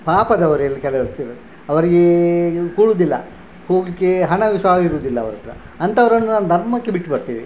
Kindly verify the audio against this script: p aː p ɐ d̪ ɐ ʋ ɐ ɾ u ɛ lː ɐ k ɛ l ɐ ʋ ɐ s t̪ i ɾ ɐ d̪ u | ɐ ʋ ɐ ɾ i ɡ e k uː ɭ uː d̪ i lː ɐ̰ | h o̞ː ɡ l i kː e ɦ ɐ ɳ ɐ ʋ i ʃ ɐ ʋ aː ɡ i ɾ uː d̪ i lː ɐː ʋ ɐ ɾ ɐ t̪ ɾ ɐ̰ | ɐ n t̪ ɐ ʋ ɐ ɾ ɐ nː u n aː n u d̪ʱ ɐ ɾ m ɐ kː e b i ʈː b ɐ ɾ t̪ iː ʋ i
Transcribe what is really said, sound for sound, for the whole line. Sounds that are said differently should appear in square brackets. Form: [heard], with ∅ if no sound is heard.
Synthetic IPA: p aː p ɐ d̪ ɐ ʋ ɐ ɾ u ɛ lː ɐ k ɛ l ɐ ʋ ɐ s t̪ i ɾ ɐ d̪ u | ɐ ʋ ɐ ɾ i ɡ e k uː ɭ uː d̪ i lː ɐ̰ | h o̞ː ɡ l i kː e ɦ ɐ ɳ ɐ ʋ i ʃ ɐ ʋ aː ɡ i ɾ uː d̪ i lː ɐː ʋ ɐ ɾ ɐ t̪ ɾ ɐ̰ | ɐ n t̪ ɐ ʋ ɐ ɾ ɐ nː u n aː n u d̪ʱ ɐ ɾ m ɐ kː e b i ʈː b ɐ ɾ t̪ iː ʋ i